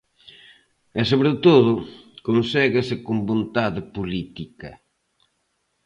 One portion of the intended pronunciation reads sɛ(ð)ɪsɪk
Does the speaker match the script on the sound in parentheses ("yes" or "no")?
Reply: no